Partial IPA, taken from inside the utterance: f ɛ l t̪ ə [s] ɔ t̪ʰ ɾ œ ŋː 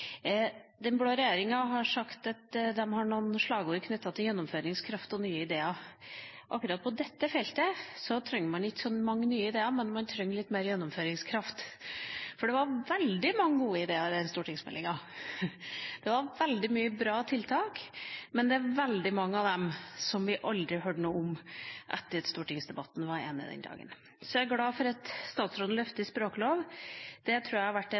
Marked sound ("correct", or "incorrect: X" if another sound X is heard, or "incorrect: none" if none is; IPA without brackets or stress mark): correct